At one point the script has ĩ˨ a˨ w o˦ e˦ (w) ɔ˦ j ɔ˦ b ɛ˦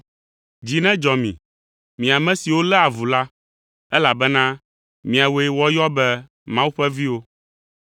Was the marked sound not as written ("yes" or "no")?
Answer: no